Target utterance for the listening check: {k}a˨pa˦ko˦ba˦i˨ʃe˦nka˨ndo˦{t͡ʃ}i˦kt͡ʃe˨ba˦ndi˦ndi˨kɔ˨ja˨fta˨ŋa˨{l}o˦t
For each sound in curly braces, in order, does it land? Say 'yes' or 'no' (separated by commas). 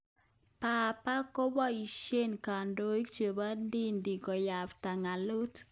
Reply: no, no, yes